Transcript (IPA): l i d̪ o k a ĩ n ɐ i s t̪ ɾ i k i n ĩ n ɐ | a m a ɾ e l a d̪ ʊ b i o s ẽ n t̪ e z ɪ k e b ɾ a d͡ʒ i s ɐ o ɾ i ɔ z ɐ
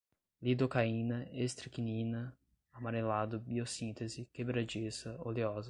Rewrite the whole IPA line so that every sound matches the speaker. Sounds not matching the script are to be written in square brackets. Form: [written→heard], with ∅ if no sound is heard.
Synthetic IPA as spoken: l i d̪ o k a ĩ n ɐ [i→e] s t̪ ɾ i k i n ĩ n ɐ | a m a ɾ e l a d̪ ʊ b i o s [ẽ→ĩ] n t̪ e z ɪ k e b ɾ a d͡ʒ i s ɐ o [ɾ→l] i ɔ z ɐ